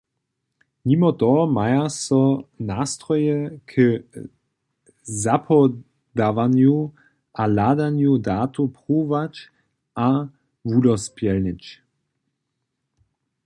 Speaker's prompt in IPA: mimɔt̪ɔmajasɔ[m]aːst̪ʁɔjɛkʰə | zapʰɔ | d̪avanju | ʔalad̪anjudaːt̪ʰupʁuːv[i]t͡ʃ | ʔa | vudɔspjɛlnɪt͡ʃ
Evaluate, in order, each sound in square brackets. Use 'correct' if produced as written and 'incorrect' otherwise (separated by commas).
incorrect, incorrect